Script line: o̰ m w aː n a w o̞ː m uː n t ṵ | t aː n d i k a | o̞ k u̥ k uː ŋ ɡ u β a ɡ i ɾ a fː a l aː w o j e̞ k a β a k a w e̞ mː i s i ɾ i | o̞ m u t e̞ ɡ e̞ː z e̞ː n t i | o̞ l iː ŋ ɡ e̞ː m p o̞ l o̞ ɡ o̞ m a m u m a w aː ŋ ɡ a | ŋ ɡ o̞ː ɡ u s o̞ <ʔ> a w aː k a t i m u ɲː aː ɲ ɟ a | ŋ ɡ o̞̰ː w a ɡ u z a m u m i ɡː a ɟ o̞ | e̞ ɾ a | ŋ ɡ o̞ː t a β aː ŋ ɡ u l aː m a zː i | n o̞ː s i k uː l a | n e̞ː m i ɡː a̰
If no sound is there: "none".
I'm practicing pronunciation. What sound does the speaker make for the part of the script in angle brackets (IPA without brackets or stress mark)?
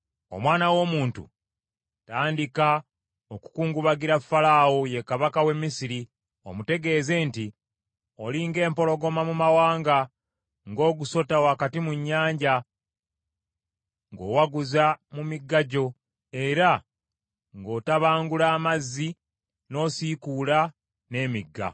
t